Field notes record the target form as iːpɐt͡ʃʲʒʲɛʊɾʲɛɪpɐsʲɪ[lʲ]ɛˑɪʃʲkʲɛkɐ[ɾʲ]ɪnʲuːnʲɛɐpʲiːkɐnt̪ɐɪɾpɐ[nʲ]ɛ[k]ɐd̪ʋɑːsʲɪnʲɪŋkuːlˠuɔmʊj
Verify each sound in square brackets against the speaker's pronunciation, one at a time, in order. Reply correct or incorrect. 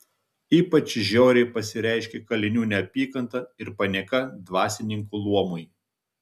incorrect: ɾʲ, incorrect: lʲ, correct, correct

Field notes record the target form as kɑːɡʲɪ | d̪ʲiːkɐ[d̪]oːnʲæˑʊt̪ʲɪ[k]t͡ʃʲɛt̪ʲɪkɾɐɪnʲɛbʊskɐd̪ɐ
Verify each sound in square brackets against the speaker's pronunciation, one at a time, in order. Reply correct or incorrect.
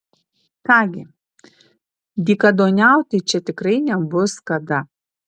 correct, incorrect: none

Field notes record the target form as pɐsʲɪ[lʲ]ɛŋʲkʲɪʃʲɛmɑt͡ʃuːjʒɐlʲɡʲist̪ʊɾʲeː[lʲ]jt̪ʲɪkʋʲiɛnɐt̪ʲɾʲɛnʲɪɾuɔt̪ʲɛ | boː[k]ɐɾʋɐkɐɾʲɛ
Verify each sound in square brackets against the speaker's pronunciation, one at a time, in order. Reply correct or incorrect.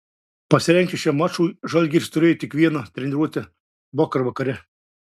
incorrect: ɾʲ, incorrect: none, correct

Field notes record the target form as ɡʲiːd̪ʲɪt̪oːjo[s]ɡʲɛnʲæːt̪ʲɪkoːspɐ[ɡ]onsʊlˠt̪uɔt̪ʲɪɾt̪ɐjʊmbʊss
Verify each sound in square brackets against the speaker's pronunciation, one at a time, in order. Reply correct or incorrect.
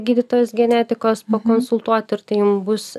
correct, incorrect: k

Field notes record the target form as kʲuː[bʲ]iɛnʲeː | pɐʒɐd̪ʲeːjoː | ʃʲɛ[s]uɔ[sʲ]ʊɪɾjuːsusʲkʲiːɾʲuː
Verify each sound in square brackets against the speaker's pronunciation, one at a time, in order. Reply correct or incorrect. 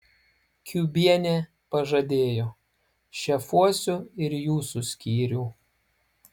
correct, incorrect: f, correct

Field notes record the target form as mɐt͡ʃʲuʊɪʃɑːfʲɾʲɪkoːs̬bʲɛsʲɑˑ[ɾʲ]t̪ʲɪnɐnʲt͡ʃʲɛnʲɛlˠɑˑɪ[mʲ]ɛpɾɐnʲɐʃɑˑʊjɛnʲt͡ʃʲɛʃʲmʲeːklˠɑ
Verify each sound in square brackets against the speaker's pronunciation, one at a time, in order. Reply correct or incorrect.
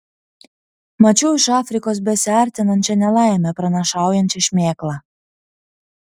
correct, correct

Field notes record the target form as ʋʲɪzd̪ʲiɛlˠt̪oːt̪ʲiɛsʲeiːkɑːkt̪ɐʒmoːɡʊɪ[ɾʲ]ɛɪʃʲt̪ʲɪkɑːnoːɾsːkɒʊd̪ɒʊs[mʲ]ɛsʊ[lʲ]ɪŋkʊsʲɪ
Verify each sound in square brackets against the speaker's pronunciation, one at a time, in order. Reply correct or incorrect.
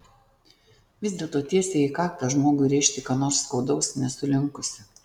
correct, incorrect: nʲ, correct

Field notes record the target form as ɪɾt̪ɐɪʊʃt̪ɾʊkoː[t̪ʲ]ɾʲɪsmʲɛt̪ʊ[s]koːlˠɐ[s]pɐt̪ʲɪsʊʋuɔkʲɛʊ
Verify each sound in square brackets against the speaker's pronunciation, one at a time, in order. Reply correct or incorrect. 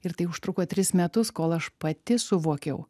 correct, correct, incorrect: ʃ

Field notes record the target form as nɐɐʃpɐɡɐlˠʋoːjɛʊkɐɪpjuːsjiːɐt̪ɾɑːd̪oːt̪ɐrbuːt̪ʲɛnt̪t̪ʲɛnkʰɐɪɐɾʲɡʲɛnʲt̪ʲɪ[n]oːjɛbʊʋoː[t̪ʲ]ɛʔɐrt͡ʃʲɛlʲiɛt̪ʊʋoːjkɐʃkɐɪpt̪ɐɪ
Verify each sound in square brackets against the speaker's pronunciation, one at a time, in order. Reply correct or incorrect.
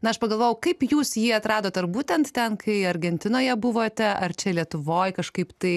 correct, correct

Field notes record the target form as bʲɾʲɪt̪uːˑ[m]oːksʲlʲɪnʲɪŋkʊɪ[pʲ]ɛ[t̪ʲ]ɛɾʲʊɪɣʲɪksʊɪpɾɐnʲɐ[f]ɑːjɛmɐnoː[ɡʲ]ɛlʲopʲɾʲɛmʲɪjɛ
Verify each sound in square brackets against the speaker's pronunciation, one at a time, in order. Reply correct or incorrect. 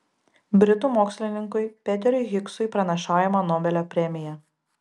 correct, correct, correct, incorrect: ʃ, incorrect: bʲ

